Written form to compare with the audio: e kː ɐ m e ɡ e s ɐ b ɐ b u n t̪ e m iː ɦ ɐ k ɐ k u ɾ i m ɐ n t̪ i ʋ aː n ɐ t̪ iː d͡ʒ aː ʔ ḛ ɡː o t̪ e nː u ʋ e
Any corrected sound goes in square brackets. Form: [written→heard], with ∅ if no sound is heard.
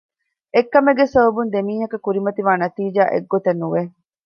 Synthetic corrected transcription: e kː ɐ m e ɡ e s ɐ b ɐ b u n [t̪→d̪] e m iː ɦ ɐ k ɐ k u ɾ i m ɐ [n→∅] t̪ i ʋ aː n ɐ t̪ iː d͡ʒ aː ʔ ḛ ɡː o t̪ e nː u ʋ e

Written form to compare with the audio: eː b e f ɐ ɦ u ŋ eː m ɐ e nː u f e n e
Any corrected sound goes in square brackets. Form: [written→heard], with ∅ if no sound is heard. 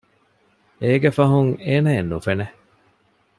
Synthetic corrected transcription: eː [b→ɡ] e f ɐ ɦ u ŋ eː [m→n] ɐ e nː u f e n e

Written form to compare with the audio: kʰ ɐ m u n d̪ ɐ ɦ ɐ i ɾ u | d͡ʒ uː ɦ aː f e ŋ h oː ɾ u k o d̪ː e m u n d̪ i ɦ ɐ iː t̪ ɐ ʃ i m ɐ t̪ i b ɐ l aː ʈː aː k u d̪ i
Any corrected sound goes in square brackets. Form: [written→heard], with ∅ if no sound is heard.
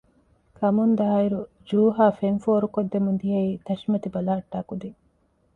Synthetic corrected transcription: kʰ ɐ m u n d̪ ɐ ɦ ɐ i ɾ u | d͡ʒ uː ɦ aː f e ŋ [h→f] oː ɾ u k o d̪ː e m u n d̪ i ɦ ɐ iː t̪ ɐ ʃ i m ɐ t̪ i b ɐ l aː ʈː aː k u d̪ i

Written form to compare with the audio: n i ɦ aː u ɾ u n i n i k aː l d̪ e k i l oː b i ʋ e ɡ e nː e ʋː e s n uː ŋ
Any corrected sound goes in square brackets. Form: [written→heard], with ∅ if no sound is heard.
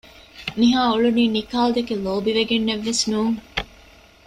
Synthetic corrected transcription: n i ɦ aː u [ɾ→ɭ] u n [i→iː] n i k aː l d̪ e k [i→e] l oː b i ʋ e ɡ e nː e ʋː e s n uː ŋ

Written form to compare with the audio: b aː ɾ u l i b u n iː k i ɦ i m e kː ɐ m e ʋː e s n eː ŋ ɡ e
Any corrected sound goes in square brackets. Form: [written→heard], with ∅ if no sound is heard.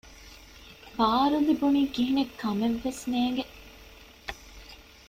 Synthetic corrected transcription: b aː ɾ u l i b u n iː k i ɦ i [m→n] e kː ɐ m e ʋː e s n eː ŋ ɡ e

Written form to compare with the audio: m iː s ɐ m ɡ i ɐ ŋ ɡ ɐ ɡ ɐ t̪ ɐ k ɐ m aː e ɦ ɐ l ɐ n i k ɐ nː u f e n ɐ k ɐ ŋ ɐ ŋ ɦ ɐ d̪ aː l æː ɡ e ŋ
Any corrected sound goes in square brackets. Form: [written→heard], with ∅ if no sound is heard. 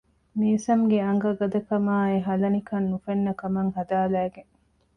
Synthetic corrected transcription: m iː s ɐ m ɡ [i→e] ɐ ŋ ɡ ɐ ɡ ɐ [t̪→d̪] ɐ k ɐ m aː e ɦ ɐ l ɐ n i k ɐ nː u f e [n→nː] ɐ k ɐ [ŋ→m] ɐ ŋ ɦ ɐ d̪ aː l æː ɡ e ŋ

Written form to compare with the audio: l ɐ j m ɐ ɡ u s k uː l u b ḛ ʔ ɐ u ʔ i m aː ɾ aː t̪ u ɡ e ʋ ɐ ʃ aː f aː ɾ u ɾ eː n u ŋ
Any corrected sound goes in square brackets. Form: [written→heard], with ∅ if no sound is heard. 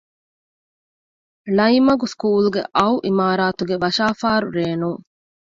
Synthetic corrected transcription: l ɐ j m ɐ ɡ u s k uː l u [b→ɡ] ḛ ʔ ɐ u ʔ i m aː ɾ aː t̪ u ɡ e ʋ ɐ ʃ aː f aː ɾ u ɾ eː n u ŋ

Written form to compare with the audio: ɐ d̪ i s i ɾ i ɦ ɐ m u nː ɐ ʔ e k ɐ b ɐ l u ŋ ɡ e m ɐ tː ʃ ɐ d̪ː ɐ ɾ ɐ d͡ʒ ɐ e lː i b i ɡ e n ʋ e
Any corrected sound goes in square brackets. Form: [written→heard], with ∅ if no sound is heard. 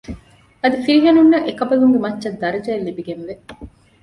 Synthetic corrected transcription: ɐ d̪ i [s→f] i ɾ i ɦ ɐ [m→n] u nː ɐ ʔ e k ɐ b ɐ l u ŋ ɡ e m ɐ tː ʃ ɐ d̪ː ɐ ɾ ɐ d͡ʒ ɐ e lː i b i ɡ e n ʋ e

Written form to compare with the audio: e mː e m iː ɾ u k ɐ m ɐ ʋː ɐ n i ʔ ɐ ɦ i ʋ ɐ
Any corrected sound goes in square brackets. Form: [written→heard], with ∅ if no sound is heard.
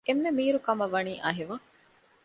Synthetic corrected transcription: e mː e m iː ɾ u k ɐ m ɐ [ʋː→ʋ] ɐ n [i→iː] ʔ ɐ ɦ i ʋ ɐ

